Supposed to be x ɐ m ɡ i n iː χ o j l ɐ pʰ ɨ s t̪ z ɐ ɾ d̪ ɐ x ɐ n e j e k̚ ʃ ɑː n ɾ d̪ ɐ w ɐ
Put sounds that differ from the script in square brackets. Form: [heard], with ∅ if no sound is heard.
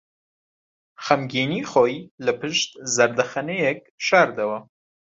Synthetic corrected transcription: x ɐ m ɡ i n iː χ o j l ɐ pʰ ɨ [ʃ] t̪ z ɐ ɾ d̪ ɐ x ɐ n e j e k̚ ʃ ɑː [∅] ɾ d̪ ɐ w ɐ